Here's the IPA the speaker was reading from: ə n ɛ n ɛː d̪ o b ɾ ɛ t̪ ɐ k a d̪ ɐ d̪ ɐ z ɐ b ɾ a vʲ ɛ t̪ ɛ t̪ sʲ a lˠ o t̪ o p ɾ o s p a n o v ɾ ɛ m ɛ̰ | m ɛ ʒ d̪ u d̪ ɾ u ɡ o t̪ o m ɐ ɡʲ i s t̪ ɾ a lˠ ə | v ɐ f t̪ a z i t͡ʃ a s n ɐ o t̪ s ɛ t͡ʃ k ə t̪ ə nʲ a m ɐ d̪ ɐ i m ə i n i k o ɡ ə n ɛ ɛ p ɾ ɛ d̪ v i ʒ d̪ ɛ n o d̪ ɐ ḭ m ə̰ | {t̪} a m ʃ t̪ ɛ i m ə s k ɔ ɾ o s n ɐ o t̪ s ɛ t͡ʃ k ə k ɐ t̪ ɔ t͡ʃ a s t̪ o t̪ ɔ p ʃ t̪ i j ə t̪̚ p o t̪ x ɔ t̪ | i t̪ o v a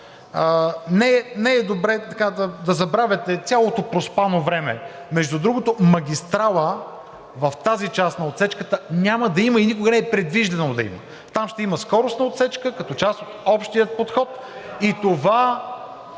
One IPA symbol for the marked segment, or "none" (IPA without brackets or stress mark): t̪